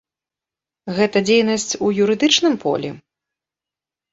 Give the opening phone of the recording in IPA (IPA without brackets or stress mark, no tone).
ɣ